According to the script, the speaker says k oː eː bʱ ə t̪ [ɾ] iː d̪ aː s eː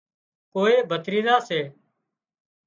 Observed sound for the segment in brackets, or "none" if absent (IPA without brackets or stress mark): ɾ